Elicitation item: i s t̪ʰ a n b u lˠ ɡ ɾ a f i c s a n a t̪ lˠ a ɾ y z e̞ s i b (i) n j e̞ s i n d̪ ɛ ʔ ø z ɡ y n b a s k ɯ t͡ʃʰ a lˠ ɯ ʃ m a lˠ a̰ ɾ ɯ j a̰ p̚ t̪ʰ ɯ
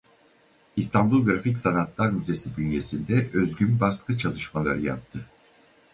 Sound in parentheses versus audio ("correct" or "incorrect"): incorrect